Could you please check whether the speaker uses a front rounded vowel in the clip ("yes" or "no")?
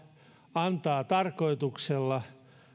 no